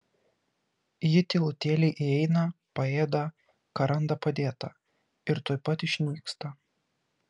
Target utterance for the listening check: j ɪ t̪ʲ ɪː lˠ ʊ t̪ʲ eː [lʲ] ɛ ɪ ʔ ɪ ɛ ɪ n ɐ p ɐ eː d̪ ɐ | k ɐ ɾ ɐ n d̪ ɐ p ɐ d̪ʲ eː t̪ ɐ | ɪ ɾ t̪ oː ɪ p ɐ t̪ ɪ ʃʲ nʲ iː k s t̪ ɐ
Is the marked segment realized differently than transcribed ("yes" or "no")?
no